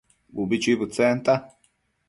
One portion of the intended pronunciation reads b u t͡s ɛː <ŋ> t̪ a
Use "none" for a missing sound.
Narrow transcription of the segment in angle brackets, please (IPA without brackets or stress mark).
n